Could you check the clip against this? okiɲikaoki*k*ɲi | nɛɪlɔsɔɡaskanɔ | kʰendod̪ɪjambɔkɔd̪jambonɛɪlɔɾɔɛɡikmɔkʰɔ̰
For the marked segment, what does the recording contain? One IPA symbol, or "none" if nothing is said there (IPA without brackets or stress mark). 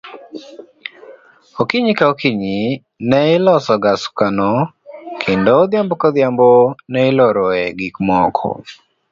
none